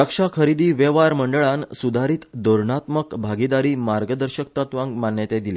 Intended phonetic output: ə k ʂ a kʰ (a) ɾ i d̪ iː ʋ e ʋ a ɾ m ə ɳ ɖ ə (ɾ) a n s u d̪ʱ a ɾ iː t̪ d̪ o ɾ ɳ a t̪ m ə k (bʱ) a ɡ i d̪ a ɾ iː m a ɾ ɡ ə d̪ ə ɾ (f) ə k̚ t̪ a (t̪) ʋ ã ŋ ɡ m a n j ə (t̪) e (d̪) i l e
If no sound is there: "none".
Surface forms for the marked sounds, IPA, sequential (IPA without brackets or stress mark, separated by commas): ə, ɭ, bʱ, ɕ, t̪, t̪, d̪